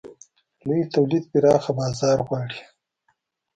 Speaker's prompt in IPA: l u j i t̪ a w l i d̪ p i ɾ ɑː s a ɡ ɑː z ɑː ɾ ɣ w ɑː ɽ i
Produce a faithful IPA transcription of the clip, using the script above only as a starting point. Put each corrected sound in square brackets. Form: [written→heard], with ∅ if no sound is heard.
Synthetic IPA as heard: l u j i t̪ a w l i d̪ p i ɾ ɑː [s→x] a [ɡ→b] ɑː z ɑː ɾ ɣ w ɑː ɽ i